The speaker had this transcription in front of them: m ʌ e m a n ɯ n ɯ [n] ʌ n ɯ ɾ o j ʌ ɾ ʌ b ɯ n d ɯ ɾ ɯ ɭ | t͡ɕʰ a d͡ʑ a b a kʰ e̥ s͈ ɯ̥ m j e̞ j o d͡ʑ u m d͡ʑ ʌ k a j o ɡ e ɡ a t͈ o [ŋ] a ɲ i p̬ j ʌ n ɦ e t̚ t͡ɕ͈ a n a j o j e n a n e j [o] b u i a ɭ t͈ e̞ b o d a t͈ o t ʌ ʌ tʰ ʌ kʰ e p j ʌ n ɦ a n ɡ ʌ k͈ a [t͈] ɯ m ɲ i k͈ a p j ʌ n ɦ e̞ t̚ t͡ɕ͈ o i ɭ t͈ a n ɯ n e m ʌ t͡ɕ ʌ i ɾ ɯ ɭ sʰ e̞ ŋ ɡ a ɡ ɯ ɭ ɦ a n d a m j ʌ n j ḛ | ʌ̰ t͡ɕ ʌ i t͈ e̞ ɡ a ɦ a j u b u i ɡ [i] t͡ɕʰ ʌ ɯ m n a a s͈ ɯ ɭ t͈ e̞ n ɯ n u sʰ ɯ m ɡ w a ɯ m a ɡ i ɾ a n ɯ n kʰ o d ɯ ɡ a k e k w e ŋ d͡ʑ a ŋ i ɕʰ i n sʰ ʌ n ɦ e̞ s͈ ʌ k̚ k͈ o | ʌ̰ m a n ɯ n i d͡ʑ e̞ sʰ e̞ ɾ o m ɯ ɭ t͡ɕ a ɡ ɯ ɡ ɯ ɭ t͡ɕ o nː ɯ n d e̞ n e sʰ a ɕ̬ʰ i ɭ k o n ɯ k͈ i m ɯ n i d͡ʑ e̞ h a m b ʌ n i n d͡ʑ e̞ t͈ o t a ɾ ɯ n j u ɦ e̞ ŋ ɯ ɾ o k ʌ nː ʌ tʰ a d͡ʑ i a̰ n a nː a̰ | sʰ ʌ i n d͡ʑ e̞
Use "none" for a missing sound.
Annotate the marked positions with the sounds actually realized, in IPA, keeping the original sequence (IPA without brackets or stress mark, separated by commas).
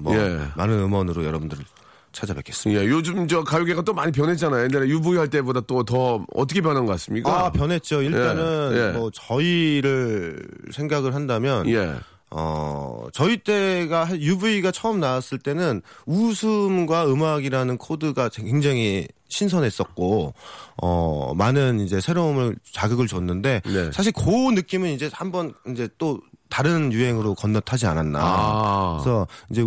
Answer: m, m, u, s͈, a